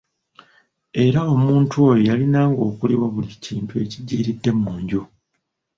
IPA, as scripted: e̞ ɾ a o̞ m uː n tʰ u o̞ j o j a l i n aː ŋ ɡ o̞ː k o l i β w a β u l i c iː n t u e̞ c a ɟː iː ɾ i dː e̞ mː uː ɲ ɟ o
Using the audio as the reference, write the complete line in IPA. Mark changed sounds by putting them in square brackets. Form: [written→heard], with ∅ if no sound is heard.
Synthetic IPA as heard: e̞ ɾ a o̞ m uː n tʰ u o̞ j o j a l i n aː ŋ ɡ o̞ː k [o→u] l i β w a β u l i c iː n t u e̞ c [a→i] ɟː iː ɾ i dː e̞ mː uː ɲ ɟ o